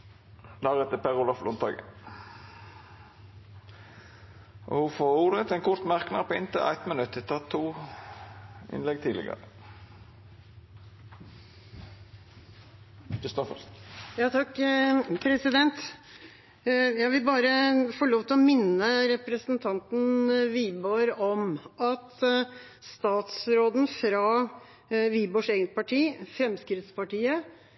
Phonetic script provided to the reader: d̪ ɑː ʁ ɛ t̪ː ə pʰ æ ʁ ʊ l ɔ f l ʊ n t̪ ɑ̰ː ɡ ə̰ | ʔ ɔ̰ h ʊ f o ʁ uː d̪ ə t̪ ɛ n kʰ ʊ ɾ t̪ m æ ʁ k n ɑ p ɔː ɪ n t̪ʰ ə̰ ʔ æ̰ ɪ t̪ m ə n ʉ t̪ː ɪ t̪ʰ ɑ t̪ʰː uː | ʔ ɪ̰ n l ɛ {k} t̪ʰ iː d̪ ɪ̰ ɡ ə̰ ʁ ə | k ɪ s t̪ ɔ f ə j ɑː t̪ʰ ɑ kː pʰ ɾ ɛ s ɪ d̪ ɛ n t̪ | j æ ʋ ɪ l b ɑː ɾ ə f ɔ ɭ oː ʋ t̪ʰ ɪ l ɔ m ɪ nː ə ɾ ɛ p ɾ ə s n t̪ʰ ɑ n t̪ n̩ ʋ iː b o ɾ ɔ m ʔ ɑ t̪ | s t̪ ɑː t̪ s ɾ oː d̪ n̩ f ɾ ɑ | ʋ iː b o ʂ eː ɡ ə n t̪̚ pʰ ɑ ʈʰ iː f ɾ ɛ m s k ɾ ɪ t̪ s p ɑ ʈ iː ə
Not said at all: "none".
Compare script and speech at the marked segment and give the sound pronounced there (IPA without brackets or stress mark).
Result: ɡ